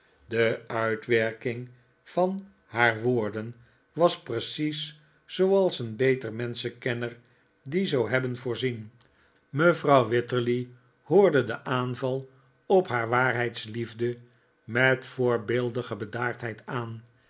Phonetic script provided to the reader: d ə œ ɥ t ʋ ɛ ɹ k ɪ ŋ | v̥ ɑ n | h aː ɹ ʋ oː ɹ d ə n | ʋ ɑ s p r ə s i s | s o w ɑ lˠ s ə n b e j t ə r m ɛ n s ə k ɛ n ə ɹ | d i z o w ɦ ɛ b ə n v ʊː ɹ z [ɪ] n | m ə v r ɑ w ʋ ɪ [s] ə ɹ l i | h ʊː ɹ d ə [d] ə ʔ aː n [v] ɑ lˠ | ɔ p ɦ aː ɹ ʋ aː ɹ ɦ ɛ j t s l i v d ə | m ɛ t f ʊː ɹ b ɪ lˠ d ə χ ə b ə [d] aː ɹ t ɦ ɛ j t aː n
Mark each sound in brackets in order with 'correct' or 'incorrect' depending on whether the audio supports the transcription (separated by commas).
incorrect, incorrect, correct, correct, correct